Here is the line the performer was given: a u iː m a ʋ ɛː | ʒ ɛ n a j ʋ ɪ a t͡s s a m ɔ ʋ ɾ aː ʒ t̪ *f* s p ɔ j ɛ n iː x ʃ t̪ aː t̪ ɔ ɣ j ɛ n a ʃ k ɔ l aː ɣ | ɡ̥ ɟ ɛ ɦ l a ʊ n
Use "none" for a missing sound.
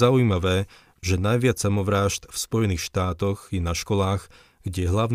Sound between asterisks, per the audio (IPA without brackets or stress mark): f